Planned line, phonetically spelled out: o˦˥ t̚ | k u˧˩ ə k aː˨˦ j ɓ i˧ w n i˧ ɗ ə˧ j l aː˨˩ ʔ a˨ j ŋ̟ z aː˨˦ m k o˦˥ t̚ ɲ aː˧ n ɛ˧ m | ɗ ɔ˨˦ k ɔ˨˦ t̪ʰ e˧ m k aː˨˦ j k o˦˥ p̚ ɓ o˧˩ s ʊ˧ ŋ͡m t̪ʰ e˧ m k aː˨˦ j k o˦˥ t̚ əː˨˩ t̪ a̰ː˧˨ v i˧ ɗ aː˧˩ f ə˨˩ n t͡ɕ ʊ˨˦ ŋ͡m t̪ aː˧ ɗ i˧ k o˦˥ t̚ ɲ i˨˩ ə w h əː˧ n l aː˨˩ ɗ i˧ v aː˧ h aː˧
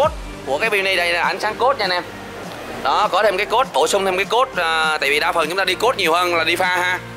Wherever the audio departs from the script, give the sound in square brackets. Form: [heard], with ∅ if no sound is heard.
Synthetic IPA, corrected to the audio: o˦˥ t̚ | k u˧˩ ə k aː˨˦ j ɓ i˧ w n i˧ ɗ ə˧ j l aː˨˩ ʔ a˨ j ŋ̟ [s] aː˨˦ [ŋ] k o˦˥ t̚ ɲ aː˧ n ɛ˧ m | ɗ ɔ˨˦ k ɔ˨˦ t̪ʰ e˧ m k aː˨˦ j k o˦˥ [t̚] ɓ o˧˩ s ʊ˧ ŋ͡m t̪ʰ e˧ m k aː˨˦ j k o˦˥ t̚ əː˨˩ t̪ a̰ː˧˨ v [i˨˩] ɗ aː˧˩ f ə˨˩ n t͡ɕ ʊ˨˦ ŋ͡m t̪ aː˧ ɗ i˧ k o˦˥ t̚ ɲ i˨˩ ə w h əː˧ n l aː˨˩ ɗ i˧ [f] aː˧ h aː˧